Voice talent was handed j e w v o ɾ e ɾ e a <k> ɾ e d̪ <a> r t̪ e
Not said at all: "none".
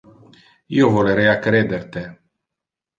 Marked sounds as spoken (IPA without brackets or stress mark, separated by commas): k, e